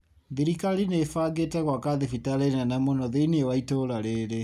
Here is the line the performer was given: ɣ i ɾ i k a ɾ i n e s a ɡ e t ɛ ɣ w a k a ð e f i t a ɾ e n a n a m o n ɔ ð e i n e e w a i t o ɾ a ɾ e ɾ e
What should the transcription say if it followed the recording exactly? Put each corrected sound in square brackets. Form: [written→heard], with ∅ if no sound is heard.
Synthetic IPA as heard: [ɣ→ð] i ɾ i k a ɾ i n e [s→f] a ɡ e t ɛ ɣ w a k a ð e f i t a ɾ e n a n a m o n ɔ ð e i n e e w a i t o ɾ a ɾ e ɾ e